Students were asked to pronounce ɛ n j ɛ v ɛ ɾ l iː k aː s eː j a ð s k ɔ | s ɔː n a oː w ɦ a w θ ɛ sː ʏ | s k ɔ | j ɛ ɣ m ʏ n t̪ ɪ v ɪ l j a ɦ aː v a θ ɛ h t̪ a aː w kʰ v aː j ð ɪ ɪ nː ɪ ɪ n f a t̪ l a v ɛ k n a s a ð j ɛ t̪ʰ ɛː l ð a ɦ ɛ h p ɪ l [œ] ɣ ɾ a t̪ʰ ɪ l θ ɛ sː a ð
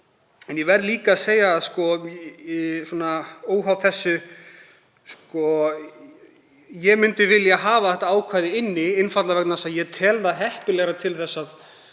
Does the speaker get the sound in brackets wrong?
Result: yes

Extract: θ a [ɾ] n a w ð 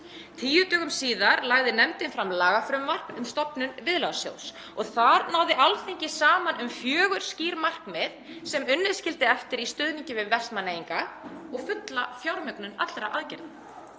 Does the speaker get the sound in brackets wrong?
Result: no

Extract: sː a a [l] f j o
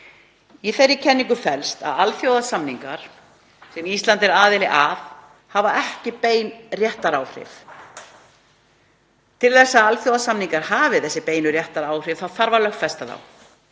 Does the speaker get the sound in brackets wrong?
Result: no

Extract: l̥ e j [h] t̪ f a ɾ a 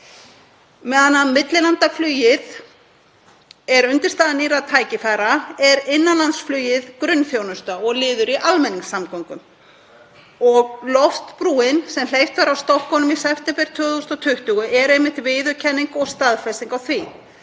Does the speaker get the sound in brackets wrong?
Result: yes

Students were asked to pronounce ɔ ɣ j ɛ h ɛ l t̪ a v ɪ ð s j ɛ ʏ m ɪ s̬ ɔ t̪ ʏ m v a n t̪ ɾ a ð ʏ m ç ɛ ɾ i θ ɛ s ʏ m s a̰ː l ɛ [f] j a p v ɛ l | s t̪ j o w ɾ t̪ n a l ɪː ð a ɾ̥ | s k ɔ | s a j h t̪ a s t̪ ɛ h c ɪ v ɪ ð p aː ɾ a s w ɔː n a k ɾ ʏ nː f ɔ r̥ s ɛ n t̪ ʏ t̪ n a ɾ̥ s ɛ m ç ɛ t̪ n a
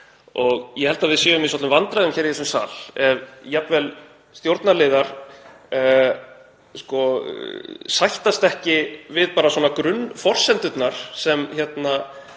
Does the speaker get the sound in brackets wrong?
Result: yes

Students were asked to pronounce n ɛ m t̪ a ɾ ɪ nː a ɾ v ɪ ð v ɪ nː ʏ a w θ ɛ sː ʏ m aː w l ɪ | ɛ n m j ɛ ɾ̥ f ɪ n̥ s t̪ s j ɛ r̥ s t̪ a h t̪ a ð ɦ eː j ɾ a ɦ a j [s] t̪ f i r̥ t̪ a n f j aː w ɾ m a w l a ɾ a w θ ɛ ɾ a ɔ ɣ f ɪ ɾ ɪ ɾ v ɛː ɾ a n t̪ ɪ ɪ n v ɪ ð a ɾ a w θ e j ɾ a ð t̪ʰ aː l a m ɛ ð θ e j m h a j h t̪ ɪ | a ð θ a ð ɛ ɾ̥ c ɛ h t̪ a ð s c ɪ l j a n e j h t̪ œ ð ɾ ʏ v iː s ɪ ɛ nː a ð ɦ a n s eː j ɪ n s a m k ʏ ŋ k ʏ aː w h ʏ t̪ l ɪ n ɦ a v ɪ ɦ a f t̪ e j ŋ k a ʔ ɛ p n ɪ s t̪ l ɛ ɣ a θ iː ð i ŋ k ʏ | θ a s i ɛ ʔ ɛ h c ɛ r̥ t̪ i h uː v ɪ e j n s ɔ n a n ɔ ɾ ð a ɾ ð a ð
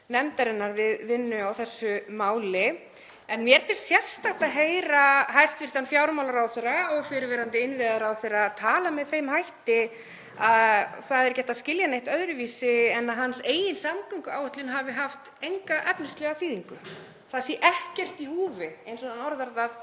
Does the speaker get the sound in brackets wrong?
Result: no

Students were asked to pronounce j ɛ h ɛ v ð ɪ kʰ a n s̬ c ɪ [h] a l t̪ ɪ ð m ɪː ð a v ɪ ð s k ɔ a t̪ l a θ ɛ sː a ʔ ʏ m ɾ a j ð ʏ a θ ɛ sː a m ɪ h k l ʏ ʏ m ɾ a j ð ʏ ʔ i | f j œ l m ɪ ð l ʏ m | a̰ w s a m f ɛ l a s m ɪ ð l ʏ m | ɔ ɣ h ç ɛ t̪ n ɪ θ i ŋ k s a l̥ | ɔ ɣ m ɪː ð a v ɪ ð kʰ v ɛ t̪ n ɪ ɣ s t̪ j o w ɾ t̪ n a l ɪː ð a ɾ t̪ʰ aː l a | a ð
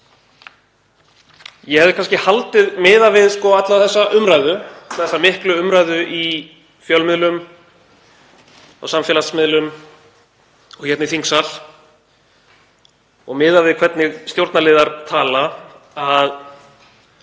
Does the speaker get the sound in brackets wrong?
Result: no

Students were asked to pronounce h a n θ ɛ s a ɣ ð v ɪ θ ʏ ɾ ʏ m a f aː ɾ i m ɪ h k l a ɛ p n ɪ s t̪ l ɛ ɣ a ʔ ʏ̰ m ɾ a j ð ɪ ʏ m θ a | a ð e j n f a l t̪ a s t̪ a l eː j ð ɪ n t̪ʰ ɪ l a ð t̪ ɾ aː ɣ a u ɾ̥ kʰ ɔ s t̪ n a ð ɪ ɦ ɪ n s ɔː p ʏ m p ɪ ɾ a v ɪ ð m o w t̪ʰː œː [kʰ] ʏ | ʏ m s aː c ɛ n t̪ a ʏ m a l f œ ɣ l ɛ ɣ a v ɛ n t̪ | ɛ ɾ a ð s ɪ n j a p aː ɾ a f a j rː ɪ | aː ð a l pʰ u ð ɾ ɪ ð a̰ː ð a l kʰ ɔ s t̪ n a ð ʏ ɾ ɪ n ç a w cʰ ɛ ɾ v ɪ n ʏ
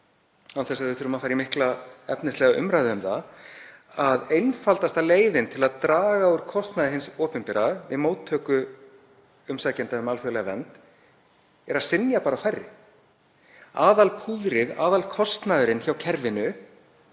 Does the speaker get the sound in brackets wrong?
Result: yes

